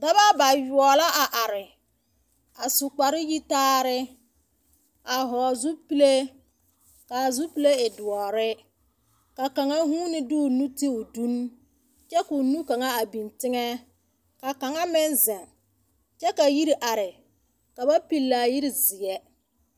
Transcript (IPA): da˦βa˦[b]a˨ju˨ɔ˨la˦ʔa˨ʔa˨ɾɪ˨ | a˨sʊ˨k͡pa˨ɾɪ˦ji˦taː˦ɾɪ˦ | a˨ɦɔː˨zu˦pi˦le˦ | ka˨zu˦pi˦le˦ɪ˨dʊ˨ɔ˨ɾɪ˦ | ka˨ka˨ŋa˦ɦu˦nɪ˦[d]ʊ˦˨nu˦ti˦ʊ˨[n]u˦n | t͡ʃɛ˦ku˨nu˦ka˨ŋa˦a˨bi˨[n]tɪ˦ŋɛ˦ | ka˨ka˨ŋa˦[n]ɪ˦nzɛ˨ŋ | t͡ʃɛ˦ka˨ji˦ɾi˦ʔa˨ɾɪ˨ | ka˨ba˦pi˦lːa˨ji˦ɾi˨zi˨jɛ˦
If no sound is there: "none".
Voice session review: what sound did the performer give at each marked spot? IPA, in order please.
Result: b, d, d, n, m

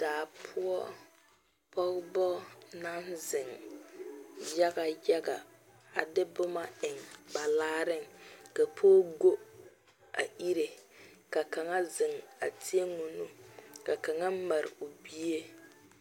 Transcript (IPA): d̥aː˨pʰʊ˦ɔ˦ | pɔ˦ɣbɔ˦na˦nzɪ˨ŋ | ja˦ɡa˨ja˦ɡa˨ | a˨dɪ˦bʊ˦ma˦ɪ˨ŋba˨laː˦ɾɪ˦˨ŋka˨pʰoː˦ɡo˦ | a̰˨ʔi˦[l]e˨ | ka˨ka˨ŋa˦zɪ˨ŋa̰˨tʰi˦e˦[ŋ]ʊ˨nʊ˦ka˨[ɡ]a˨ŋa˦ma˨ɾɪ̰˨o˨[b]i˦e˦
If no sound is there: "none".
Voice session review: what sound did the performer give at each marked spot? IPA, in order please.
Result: ɾ, ŋ, k, b

